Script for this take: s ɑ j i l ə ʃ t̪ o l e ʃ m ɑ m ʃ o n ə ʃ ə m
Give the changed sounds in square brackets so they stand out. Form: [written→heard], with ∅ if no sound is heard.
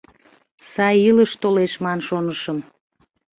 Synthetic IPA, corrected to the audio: s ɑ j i l ə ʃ t̪ o l e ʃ m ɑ [m→n] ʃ o n ə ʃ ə m